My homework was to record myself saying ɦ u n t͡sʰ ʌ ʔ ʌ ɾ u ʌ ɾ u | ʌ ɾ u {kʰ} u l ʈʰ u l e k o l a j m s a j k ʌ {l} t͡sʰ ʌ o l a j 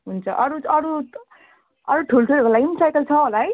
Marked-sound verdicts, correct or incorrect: incorrect, correct

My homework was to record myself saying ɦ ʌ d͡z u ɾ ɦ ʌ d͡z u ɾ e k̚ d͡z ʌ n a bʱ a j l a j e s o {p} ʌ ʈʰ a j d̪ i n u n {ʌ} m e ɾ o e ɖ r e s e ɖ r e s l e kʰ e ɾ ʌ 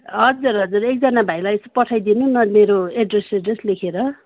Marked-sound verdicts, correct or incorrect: correct, correct

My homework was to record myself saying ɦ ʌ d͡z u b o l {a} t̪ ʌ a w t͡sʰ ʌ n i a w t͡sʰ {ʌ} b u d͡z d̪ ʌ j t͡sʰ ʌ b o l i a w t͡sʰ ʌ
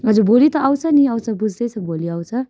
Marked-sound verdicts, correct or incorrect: incorrect, correct

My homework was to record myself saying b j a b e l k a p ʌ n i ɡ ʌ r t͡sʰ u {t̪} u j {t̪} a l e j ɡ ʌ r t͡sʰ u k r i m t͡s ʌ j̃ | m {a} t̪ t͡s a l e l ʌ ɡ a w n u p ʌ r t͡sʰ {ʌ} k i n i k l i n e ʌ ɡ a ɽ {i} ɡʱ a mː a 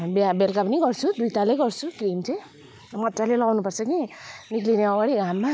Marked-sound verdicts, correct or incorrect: incorrect, correct, incorrect, correct, correct

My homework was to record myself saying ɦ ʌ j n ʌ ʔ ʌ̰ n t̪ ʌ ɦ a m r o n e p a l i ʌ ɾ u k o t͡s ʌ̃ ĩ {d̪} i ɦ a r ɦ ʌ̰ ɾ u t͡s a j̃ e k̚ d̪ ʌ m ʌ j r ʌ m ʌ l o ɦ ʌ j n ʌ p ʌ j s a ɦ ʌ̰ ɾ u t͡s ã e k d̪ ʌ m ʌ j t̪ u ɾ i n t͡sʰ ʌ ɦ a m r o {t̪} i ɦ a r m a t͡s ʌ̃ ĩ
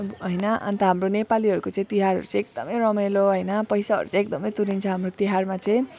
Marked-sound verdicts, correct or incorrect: incorrect, correct

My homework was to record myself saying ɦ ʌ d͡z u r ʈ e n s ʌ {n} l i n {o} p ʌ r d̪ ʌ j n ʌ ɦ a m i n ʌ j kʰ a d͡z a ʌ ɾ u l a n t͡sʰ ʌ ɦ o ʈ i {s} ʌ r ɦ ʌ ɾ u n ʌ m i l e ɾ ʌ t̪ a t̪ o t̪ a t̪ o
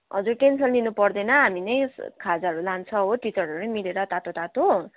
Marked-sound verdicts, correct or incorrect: correct, incorrect, incorrect

